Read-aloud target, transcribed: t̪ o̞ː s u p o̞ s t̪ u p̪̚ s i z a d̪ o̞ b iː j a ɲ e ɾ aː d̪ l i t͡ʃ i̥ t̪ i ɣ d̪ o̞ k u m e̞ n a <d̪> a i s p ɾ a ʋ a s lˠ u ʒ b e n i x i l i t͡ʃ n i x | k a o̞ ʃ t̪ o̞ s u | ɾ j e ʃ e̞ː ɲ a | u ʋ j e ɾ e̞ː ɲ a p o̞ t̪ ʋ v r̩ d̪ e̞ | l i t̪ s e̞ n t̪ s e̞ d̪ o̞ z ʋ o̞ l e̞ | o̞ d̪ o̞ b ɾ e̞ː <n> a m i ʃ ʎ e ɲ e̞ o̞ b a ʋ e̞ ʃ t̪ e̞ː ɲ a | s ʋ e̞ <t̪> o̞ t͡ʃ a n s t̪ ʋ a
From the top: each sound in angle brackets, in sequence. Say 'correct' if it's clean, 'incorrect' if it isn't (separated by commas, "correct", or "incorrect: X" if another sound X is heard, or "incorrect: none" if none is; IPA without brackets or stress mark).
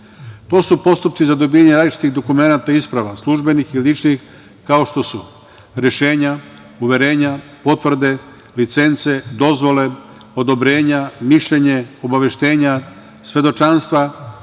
incorrect: t̪, incorrect: ɲ, incorrect: d̪